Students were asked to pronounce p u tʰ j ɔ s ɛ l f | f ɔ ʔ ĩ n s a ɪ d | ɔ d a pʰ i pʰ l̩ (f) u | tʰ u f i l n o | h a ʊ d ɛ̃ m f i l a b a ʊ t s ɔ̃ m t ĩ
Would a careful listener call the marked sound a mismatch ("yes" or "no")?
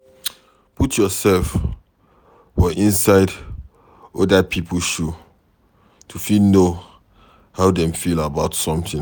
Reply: yes